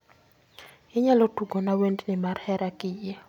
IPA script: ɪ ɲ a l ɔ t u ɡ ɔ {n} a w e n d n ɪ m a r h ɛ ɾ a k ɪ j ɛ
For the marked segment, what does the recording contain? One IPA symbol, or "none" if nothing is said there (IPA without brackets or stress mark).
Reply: n